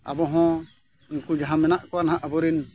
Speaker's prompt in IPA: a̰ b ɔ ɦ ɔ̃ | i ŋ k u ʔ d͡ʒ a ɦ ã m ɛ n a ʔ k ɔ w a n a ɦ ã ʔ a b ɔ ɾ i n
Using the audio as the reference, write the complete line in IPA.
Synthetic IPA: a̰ b ɔ ɦ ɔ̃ | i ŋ k u d͡ʒ a ɦ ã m ɛ n a ʔ k ɔ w a n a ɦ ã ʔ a b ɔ ɾ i n